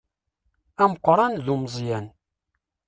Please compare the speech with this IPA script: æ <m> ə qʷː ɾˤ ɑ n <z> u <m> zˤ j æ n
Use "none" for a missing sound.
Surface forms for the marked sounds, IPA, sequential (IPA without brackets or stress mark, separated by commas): m, ð, m